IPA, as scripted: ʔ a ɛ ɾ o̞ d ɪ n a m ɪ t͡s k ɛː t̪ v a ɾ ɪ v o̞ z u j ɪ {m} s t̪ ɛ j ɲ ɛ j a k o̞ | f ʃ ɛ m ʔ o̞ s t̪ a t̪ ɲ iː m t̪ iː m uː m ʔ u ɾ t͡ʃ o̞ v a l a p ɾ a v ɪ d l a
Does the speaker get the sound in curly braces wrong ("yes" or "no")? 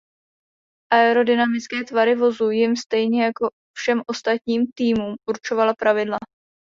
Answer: no